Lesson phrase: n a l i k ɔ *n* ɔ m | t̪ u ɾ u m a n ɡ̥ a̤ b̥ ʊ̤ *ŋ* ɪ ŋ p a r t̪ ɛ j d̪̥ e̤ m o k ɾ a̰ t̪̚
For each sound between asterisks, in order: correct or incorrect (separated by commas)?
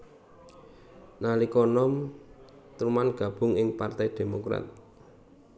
correct, correct